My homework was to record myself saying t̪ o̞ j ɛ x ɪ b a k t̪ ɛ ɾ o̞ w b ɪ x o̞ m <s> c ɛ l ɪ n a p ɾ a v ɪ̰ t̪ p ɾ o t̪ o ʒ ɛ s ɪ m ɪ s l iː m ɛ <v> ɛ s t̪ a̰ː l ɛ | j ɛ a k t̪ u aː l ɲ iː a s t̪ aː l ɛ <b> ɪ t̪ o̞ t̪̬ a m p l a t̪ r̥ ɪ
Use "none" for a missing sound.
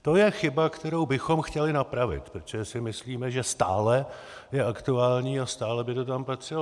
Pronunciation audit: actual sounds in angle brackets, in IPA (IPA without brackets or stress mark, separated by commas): x, ʒ, b